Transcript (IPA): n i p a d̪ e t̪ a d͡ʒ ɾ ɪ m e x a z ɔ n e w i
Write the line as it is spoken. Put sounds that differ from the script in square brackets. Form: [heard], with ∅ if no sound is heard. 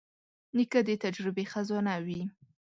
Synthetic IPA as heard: n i [k] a d̪ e t̪ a d͡ʒ ɾ ɪ [b] e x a z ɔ n [a] w i